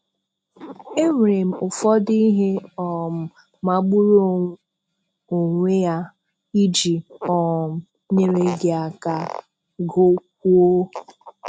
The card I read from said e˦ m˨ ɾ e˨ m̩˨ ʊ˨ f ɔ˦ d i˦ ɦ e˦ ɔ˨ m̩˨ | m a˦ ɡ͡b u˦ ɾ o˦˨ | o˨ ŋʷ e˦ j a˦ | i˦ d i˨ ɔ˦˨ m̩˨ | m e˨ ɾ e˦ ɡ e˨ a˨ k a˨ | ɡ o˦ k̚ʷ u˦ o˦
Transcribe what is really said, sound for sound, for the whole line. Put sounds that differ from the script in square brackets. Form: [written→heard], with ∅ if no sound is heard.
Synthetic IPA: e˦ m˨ ɾ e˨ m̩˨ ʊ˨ f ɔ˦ d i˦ ɦ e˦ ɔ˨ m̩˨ | m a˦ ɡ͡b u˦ ɾ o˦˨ | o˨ ŋʷ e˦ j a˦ | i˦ [d→d͡ʒ] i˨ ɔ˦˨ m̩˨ | [m→ɲ] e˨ ɾ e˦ ɡ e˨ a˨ k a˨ | ɡ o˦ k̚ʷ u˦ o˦